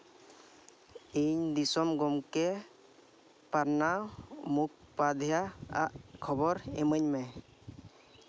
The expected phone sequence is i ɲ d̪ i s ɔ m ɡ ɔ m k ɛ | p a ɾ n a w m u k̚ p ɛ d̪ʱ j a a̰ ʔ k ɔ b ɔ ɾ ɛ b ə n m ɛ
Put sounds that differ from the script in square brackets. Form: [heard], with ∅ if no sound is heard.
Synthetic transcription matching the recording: i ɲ d̪ i s ɔ m ɡ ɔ m k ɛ | p a ɾ n a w m u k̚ p [a] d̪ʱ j a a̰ ʔ [kʰ] ɔ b ɔ ɾ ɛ [m] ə [ɲ] m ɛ